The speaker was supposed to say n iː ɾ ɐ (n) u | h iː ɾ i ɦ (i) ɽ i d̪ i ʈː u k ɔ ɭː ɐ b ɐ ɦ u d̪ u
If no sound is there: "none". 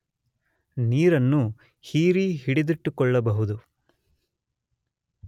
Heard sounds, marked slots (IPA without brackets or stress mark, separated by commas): nː, i